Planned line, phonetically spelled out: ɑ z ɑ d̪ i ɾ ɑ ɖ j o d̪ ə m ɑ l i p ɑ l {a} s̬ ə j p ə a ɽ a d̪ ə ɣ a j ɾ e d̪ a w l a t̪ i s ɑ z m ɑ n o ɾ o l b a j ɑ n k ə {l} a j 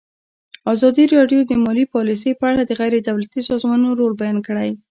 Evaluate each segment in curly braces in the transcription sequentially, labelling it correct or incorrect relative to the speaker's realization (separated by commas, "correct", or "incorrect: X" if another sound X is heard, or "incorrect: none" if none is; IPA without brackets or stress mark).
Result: incorrect: i, incorrect: ɽ